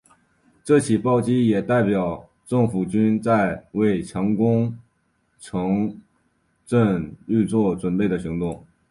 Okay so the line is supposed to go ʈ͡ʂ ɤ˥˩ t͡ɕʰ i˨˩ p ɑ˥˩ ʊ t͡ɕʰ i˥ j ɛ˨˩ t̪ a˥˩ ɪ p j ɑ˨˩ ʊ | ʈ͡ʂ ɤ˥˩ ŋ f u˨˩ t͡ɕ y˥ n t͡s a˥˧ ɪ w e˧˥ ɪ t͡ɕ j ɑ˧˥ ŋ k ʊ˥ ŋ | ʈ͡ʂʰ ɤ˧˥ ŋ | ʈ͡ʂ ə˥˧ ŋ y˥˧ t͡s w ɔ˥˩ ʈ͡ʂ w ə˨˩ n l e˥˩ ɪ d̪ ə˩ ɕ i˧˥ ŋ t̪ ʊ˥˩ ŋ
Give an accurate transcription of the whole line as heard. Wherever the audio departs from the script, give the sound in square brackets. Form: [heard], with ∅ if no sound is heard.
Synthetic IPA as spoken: ʈ͡ʂ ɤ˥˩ t͡ɕʰ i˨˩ p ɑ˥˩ ʊ [t͡ɕ] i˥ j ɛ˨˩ t̪ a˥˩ ɪ p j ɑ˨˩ ʊ | ʈ͡ʂ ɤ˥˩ ŋ f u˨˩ t͡ɕ y˥ n t͡s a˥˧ ɪ w [e˥˩] ɪ [t͡ɕʰ] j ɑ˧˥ ŋ k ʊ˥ ŋ | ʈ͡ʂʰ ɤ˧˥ ŋ | ʈ͡ʂ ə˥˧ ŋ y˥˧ t͡s w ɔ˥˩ ʈ͡ʂ w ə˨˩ n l e˥˩ ɪ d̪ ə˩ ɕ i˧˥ ŋ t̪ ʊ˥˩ ŋ